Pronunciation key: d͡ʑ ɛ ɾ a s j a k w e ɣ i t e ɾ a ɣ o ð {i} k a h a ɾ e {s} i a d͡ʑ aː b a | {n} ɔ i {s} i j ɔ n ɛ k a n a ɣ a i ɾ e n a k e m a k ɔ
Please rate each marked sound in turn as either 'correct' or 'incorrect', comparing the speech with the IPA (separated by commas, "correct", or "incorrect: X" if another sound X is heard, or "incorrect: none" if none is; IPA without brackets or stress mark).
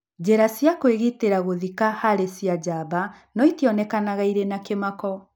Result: correct, correct, correct, incorrect: t